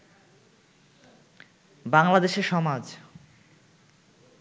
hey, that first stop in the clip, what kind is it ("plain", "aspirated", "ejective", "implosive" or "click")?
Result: plain